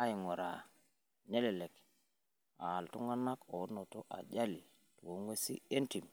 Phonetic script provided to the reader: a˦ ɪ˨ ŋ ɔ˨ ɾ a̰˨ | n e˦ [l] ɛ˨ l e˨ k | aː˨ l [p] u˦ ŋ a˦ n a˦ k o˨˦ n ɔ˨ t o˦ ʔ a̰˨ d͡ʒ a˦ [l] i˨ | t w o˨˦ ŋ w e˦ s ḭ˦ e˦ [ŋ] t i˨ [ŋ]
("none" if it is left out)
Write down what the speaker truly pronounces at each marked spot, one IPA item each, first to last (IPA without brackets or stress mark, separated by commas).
l, t, l, n, m